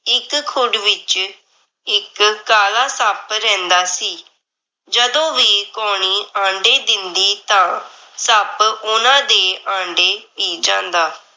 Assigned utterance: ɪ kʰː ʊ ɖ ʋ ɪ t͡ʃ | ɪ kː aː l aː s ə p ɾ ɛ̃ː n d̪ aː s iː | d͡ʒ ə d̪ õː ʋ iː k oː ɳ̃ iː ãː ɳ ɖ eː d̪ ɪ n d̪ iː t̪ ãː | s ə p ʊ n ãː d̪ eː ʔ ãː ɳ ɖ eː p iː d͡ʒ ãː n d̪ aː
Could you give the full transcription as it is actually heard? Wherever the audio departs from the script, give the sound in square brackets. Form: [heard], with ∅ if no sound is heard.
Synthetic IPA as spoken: ɪ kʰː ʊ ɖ ʋ ɪ t͡ʃ | ɪ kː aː l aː s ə p ɾ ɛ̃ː n d̪ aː s iː | d͡ʒ ə d̪ õː ʋ iː k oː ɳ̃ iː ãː ɳ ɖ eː d̪ ɪ n d̪ iː t̪ ãː | s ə p ʊ n ãː d̪ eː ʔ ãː ɳ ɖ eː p iː d͡ʒ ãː n d̪ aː